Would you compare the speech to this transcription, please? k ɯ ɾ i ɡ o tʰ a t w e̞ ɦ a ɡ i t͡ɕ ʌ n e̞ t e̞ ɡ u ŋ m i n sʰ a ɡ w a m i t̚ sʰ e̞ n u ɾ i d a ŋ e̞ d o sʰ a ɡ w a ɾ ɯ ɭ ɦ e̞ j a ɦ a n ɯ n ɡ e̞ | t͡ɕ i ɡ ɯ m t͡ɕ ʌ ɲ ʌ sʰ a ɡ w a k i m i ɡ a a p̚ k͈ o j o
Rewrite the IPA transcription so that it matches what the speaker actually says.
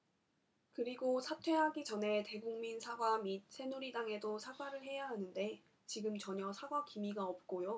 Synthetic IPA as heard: k ɯ ɾ i ɡ o sʰ a tʰ w e̞ ɦ a ɡ i t͡ɕ ʌ n e̞ t e̞ ɡ u ŋ m i n sʰ a ɡ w a m i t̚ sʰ e̞ n u ɾ i d a ŋ e̞ d o sʰ a ɡ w a ɾ ɯ ɭ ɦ e̞ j a ɦ a n ɯ n d e̞ | t͡ɕ i ɡ ɯ m t͡ɕ ʌ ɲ ʌ sʰ a ɡ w a k i m i ɡ a ʌ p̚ k͈ o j o